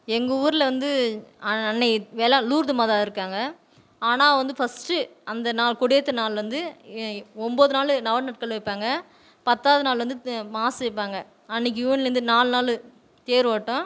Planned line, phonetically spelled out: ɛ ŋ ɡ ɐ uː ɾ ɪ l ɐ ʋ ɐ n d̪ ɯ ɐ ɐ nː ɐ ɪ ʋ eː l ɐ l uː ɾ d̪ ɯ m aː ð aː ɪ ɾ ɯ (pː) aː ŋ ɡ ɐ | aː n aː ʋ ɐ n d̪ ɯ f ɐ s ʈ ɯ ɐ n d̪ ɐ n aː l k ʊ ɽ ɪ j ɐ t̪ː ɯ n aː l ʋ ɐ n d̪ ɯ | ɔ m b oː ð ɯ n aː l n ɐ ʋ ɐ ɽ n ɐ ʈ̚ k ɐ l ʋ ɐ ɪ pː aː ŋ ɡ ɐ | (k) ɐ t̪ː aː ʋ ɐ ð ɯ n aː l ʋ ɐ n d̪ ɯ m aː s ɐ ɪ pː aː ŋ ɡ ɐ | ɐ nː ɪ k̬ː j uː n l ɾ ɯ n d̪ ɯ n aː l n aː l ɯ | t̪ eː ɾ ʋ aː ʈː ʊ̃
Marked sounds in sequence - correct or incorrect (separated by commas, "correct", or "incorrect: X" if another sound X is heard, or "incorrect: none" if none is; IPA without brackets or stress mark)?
incorrect: kː, incorrect: p